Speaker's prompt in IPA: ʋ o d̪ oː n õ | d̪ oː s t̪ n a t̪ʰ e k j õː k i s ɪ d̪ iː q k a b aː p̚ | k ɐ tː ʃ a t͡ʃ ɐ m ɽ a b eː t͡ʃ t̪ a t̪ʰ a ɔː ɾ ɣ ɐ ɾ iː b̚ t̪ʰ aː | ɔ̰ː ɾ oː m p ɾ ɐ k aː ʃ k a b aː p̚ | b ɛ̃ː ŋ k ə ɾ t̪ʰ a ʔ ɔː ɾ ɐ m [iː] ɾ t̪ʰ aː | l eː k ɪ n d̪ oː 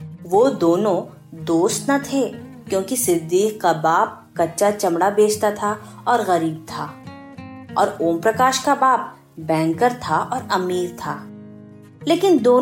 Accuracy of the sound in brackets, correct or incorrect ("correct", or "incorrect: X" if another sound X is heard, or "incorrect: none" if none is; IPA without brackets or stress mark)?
correct